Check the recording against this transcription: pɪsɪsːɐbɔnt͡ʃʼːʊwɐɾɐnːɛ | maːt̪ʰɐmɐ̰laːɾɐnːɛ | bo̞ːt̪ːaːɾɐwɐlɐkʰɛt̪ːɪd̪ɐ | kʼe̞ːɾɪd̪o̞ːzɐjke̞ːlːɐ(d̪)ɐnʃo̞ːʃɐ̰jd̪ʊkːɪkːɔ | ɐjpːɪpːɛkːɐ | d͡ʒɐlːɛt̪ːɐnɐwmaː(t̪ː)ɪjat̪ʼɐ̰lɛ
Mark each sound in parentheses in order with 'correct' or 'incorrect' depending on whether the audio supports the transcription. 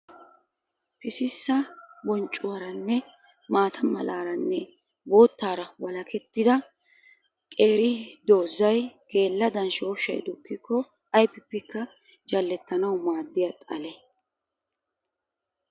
correct, incorrect

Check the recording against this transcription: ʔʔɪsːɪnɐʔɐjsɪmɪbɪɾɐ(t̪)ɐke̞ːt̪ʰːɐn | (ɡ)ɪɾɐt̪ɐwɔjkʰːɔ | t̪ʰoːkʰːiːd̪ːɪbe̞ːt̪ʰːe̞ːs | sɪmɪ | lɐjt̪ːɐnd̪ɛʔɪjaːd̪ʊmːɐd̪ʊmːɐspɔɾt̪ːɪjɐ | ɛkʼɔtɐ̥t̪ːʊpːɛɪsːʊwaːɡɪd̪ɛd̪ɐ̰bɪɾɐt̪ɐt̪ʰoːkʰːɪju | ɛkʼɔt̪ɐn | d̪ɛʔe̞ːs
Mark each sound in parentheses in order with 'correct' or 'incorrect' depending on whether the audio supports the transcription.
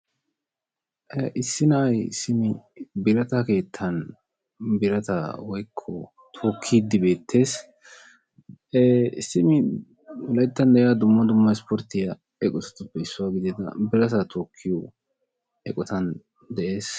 correct, incorrect

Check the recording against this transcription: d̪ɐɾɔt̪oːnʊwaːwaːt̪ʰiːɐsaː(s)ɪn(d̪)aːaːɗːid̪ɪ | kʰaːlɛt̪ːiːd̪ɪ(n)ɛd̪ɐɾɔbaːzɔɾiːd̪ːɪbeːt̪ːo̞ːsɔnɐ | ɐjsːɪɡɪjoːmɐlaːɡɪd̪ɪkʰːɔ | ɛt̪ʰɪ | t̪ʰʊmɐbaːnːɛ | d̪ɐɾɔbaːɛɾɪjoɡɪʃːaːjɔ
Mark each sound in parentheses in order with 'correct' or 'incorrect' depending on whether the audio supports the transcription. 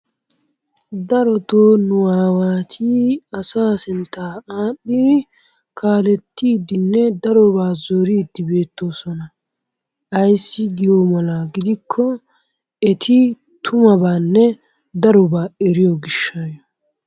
correct, incorrect, incorrect

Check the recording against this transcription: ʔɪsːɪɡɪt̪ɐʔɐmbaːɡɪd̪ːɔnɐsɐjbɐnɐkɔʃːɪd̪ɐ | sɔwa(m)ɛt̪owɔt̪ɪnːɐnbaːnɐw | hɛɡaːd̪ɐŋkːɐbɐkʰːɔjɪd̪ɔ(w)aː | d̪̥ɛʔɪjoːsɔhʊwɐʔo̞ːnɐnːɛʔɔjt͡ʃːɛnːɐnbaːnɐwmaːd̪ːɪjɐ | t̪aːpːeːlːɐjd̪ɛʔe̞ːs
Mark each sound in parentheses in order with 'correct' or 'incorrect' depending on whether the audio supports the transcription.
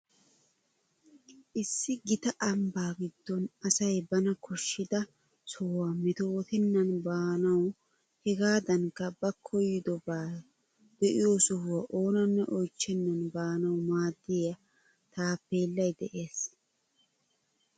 correct, incorrect

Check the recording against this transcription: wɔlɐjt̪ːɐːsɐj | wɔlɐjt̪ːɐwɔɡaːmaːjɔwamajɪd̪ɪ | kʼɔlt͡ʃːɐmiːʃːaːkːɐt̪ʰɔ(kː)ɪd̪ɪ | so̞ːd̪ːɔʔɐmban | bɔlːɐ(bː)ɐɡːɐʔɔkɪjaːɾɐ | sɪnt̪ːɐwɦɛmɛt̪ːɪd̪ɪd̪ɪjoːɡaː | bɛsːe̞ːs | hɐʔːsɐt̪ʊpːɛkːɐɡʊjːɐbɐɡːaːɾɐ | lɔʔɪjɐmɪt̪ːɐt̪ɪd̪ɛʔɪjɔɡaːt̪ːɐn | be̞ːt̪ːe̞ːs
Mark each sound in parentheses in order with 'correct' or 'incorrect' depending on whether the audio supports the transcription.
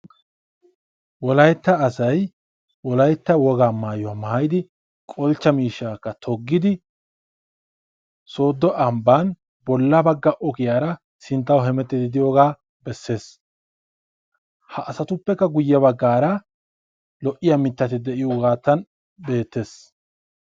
incorrect, incorrect

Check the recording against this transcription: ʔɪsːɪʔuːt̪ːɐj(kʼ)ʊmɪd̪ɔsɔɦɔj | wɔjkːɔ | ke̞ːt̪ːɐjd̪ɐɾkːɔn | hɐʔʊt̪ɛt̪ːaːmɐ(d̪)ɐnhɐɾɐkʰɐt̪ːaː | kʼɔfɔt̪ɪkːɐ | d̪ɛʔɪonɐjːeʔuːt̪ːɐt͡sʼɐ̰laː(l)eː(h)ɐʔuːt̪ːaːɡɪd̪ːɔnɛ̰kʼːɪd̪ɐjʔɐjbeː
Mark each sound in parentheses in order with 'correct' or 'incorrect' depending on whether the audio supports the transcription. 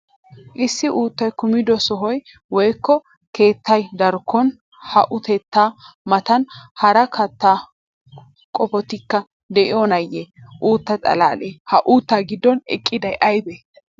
incorrect, incorrect, correct, correct

